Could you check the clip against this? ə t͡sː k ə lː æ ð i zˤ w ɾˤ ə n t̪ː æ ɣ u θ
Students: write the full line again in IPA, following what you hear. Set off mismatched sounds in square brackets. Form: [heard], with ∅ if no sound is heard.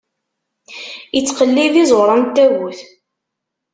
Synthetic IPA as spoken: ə t͡sː [q] ə lː [i] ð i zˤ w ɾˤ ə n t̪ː æ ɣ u θ